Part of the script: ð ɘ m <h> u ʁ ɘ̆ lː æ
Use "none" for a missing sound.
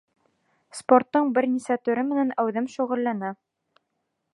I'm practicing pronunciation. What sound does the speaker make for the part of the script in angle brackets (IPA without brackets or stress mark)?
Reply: ʃ